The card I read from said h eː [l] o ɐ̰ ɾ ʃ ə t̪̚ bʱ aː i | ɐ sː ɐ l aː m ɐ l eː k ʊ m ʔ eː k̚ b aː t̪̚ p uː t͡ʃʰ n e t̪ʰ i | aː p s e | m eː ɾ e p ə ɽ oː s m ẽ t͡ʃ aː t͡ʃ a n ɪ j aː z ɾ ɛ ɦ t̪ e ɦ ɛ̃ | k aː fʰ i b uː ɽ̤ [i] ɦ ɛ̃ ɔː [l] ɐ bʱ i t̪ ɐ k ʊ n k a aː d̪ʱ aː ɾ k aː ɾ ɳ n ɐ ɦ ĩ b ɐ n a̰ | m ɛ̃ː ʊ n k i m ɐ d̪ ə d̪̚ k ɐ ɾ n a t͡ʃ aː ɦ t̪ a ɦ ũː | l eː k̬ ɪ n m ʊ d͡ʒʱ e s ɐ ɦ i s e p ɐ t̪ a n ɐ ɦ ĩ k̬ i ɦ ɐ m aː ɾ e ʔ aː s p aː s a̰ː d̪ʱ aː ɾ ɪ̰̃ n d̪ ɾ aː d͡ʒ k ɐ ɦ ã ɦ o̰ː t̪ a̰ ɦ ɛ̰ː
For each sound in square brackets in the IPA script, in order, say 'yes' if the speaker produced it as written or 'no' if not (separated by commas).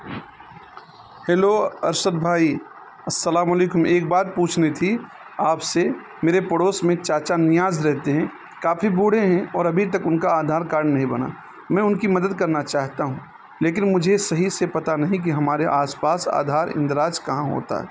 yes, no, no